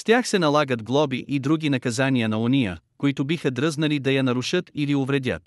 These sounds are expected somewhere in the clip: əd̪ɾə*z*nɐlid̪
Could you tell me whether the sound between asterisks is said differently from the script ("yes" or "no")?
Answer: no